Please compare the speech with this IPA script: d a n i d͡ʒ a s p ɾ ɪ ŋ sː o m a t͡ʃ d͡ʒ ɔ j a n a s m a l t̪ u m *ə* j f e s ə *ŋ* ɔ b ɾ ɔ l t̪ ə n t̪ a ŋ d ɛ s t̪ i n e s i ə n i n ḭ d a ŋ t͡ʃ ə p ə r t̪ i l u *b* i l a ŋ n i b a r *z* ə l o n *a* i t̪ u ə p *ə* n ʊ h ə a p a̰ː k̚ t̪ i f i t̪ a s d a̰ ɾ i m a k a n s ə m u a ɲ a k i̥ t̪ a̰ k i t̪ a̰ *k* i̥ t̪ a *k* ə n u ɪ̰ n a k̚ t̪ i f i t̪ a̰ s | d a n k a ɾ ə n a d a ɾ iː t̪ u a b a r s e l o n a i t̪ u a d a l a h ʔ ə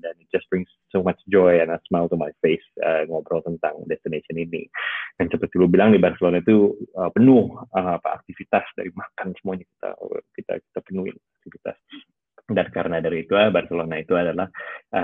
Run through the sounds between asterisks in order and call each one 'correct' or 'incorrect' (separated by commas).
incorrect, correct, correct, incorrect, correct, correct, correct, incorrect